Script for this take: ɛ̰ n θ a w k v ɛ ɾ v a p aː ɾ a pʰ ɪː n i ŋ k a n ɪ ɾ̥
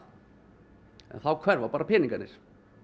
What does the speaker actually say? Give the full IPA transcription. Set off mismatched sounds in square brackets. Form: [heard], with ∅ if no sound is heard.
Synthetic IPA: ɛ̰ n θ a w [kʰ] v ɛ ɾ v a p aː ɾ a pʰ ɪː n i ŋ k a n ɪ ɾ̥

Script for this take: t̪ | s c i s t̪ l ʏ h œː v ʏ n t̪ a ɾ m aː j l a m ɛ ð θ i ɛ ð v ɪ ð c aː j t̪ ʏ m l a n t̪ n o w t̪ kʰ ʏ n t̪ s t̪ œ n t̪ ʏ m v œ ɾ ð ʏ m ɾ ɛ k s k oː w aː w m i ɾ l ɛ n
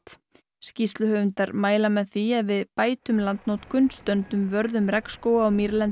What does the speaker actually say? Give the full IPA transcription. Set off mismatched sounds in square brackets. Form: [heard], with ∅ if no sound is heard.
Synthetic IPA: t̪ | s c i s t̪ l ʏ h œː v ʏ n t̪ a ɾ m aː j l a m ɛ ð θ i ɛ ð v ɪ ð [p] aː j t̪ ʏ m l a n t̪ n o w t̪ kʰ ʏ n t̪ s t̪ œ n t̪ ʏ m v œ ɾ ð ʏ m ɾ ɛ k s k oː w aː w m i ɾ l ɛ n

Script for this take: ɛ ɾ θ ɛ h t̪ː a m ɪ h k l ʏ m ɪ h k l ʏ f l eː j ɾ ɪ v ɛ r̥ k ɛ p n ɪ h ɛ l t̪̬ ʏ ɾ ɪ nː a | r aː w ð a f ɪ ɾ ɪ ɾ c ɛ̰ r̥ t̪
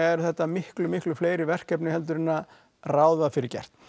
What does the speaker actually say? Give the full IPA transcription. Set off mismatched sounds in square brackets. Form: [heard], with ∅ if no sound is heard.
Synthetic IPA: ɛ ɾ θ ɛ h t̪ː a m ɪ h k l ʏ m ɪ h k l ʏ f l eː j ɾ ɪ v ɛ r̥ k ɛ p n ɪ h ɛ l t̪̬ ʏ ɾ ɪ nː a | r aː w ð a f ɪ ɾ ɪ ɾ c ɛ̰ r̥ t̪

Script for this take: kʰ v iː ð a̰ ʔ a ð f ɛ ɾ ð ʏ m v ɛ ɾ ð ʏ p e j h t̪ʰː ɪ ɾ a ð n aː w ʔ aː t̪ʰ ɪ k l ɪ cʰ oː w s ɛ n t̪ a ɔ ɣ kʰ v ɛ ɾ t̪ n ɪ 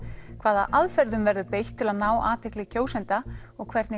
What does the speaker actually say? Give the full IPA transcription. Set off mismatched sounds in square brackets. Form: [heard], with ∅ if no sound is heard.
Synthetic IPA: kʰ v [aː] ð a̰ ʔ a ð f ɛ ɾ ð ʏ m v ɛ ɾ ð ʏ p e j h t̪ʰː ɪ [l] a ð n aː w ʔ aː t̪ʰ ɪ k l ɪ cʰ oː w s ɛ n t̪ a ɔ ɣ kʰ v ɛ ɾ t̪ n ɪ

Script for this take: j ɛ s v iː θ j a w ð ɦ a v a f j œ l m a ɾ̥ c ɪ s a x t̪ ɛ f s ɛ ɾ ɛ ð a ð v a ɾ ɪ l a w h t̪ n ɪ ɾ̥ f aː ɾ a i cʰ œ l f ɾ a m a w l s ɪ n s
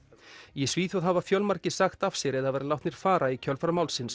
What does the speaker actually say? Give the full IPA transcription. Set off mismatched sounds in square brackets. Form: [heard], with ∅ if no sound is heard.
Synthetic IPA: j ɛ s v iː θ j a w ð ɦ a v a f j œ l m a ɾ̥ c ɪ s a x t̪ [a] f s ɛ ɾ ɛ ð a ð v [ɛ] ɾ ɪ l a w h t̪ n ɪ ɾ̥ f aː ɾ a i cʰ œ l f ɾ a m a w l s ɪ n s

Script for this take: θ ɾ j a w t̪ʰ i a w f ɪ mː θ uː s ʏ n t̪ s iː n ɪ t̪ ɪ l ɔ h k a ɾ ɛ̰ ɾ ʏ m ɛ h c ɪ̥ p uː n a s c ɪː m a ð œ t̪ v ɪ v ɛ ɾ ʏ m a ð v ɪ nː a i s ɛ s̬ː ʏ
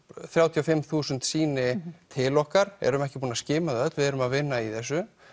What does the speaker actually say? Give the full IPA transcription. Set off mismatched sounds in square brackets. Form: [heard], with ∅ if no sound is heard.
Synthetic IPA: θ ɾ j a w t̪ʰ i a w f ɪ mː θ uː s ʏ n t̪ s iː n ɪ [t̪ʰ] ɪ l ɔ h k a ɾ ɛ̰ ɾ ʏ m ɛ h c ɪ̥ p uː n a s c ɪː m a ð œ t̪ v ɪ [ð] ɛ ɾ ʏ m a ð v ɪ nː a i [θ] ɛ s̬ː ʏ

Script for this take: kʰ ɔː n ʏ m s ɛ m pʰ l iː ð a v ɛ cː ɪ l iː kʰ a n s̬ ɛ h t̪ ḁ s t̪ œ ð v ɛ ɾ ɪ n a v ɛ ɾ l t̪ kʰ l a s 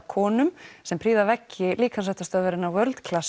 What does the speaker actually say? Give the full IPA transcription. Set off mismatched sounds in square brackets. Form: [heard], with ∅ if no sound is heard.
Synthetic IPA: kʰ ɔː n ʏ m s ɛ m pʰ [ɾ] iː ð a v ɛ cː ɪ l iː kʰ a n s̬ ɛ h t̪ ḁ s t̪ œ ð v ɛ ɾ ɪ n a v [œ] ɾ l t̪ kʰ l a s

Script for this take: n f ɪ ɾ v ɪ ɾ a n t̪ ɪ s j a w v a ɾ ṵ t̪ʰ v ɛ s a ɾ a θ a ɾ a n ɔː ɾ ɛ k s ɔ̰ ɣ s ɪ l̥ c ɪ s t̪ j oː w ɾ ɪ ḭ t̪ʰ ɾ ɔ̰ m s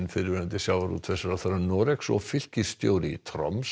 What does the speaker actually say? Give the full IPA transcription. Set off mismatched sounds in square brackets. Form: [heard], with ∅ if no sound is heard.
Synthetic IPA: n f ɪ ɾ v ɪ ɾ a n t̪ ɪ s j a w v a ɾ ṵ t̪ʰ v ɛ s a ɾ a θ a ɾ a n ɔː ɾ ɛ k s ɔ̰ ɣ [f] ɪ l̥ c ɪ s t̪ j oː w ɾ ɪ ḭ t̪ʰ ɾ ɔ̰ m s

